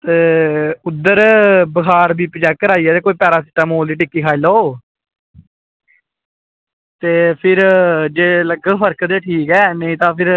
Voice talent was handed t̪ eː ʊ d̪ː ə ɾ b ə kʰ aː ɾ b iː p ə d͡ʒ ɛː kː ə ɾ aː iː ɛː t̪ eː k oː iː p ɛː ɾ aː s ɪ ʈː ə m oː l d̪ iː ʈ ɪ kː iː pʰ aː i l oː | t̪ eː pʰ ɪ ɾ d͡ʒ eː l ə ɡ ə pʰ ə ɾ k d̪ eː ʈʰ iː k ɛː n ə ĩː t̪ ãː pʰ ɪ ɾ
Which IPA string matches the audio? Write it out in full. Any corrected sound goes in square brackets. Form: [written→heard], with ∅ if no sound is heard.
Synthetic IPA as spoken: t̪ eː ʊ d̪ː ə ɾ b ə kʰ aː ɾ b iː p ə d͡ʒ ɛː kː ə ɾ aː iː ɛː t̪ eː k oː iː p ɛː ɾ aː s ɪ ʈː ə m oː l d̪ iː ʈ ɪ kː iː [pʰ→kʰ] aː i l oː | t̪ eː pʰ ɪ ɾ d͡ʒ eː l ə ɡ ə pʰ ə ɾ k d̪ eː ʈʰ iː k ɛː n ə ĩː t̪ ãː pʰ ɪ ɾ